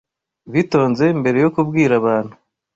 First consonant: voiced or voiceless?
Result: voiced